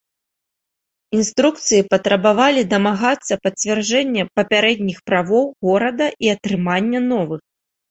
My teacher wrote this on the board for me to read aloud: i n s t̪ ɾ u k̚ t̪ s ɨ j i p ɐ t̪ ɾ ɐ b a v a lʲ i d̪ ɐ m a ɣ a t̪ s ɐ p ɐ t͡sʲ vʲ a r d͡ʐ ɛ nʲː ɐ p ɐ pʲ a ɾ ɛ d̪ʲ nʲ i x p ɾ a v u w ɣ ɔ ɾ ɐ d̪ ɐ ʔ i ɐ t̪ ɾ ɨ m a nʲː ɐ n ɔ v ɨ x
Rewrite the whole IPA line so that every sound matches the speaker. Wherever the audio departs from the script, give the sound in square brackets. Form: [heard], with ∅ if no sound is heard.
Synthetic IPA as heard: i n s t̪ ɾ u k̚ t̪ s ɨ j i p ɐ t̪ ɾ ɐ b a v a lʲ i d̪ ɐ m a ɣ a t̪ [sː] ɐ p ɐ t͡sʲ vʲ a r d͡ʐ ɛ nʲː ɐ p ɐ pʲ a ɾ ɛ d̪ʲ nʲ i x p ɾ a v [ɔ] w ɣ ɔ ɾ ɐ d̪ ɐ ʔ i ɐ t̪ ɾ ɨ m a nʲː ɐ n ɔ v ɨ x